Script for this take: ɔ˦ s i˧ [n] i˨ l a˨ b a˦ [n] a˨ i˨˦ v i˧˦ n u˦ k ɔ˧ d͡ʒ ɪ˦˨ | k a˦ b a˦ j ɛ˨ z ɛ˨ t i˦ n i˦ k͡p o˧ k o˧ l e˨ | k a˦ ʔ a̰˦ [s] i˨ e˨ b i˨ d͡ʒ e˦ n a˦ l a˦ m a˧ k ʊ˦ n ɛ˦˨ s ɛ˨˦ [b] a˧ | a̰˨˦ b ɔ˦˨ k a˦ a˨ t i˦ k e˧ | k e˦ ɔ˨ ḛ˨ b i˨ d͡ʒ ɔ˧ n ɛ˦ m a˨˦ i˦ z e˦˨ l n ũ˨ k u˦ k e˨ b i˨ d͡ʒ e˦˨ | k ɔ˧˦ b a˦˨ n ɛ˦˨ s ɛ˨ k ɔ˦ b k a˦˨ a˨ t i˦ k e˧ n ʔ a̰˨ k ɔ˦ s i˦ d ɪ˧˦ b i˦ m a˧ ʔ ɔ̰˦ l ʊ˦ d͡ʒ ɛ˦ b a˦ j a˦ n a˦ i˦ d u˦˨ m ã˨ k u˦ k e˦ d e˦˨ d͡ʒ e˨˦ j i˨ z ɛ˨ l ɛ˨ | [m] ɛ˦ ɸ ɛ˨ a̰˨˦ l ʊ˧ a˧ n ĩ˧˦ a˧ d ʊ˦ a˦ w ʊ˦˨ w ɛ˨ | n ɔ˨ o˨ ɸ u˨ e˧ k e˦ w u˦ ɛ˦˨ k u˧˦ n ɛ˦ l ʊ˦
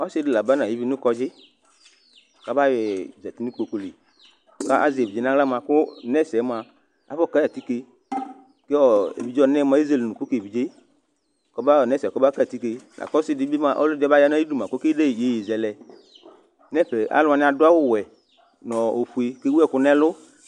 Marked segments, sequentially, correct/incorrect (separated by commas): incorrect, correct, incorrect, incorrect, incorrect